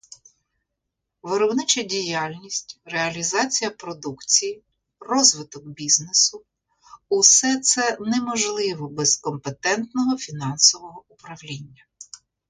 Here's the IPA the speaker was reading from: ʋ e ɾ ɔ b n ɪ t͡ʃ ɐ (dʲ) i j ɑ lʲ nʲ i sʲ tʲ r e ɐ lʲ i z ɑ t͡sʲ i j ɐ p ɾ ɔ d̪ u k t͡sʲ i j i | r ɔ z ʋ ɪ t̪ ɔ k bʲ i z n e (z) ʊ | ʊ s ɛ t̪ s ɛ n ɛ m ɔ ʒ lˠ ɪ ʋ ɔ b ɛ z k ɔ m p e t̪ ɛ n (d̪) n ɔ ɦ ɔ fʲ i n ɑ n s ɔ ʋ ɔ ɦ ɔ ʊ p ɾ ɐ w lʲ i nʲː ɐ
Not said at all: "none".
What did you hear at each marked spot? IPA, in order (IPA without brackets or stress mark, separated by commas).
dʲ, s, t̪